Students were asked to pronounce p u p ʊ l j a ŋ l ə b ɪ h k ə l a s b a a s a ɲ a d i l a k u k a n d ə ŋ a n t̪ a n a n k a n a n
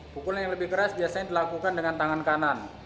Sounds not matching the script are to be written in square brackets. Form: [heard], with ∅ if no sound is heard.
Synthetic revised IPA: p u [k] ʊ l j a ŋ l ə b ɪ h k ə [ɾ] a s b [i] a s a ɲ a d i l a k u k a n d ə ŋ a n t̪ a [ŋ] a n k a n a n

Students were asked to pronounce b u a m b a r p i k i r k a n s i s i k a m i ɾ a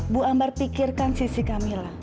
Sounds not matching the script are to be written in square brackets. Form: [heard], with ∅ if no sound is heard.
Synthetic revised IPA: b u a m b a r p i k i r k a n s i s i k a m i [l] a

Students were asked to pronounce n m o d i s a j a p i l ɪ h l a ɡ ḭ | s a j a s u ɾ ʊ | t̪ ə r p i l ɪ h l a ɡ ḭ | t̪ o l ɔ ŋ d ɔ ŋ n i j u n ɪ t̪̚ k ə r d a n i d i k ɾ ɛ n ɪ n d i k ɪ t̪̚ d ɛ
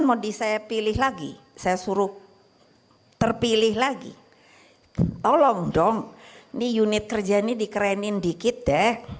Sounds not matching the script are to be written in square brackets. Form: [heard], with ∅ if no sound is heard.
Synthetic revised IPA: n m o d i s a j a p i l ɪ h l a ɡ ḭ | s a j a s u ɾ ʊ | t̪ ə r p i l ɪ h l a ɡ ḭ | t̪ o l ɔ ŋ d ɔ ŋ n i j u n ɪ t̪̚ k ə r [d͡ʒ] a n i d i k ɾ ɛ n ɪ n d i k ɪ t̪̚ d ɛ

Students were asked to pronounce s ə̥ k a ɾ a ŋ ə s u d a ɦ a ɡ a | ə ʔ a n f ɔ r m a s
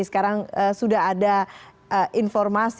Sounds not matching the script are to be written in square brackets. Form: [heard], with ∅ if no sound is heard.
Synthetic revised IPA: s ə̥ k a ɾ a ŋ ə s u d a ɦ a [d] a | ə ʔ [i] n f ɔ r m a s

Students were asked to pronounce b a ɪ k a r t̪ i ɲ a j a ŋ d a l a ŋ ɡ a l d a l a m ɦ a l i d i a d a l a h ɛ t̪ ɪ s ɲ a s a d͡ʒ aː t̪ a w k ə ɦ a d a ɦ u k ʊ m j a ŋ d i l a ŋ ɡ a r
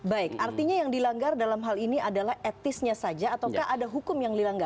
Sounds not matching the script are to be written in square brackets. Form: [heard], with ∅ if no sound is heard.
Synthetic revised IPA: b a ɪ k a r t̪ i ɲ a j a ŋ d [i] l a ŋ ɡ a [r] d a l a m ɦ a l i [n] i a d a l a h ɛ t̪ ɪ s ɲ a s a d͡ʒ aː t̪ a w k [a] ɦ a d a ɦ u k ʊ m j a ŋ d i l a ŋ ɡ a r

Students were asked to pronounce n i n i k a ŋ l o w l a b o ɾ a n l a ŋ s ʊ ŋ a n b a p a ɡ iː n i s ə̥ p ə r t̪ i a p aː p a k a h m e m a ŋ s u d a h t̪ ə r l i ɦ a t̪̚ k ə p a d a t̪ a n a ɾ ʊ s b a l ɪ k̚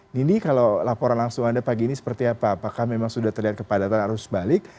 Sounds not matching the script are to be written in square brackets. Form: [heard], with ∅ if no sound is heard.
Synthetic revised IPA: n i n i k a [∅] l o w l a [p] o ɾ a n l a ŋ s ʊ ŋ a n [d] a p a ɡ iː n i s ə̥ p ə r t̪ i a p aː p a k a h m e m a ŋ s u d a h t̪ ə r l i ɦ a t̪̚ k ə p a d a t̪ a n a ɾ ʊ s b a l ɪ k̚

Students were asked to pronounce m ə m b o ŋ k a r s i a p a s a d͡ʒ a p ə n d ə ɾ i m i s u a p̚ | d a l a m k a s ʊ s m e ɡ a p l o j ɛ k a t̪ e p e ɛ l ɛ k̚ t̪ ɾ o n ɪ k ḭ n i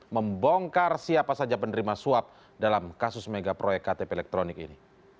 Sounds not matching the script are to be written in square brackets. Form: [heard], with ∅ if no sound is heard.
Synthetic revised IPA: m ə m b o ŋ k a r s i a p a s a d͡ʒ a p ə n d ə ɾ i m [a] s u a p̚ | d a l a m k a s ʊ s m e ɡ a p [ɾ] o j ɛ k a t̪ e p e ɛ l ɛ k̚ t̪ ɾ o n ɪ k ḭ n i

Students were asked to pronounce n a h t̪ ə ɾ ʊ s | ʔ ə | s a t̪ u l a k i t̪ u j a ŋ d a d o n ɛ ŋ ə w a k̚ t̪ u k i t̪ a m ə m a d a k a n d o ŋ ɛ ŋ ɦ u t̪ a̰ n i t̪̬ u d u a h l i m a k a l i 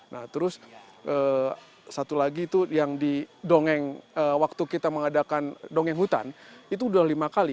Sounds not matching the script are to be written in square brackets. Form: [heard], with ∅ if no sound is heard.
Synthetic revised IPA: n a h t̪ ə ɾ ʊ s | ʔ ə | s a t̪ u l a [ɡ] i t̪ u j a ŋ d [i] d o [ŋ] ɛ ŋ ə w a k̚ t̪ u k i t̪ a m ə [ŋ] a d a k a n d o ŋ ɛ ŋ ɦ u t̪ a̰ n i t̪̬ u d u a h l i m a k a l i

